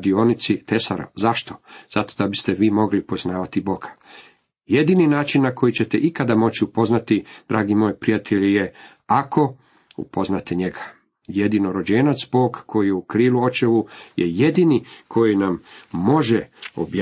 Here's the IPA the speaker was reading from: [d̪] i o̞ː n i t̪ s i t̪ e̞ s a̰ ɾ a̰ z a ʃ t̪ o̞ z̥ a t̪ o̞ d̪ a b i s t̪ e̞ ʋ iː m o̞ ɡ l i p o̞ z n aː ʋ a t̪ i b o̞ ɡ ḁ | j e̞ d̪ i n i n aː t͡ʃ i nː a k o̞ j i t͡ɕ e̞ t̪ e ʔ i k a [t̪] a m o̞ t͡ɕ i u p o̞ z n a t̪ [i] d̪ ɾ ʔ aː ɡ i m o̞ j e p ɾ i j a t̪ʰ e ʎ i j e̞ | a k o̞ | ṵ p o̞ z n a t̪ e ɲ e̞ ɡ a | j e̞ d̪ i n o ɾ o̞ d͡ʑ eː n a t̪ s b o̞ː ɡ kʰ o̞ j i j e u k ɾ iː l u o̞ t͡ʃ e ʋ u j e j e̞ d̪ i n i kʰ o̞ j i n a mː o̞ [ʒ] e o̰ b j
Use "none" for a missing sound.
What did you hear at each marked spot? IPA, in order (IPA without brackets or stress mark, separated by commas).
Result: d̪, d̪, i, ʒ